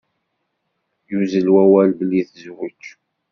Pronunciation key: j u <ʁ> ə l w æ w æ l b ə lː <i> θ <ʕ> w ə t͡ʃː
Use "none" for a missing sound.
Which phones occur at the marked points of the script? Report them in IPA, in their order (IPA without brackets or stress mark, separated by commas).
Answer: z, i, z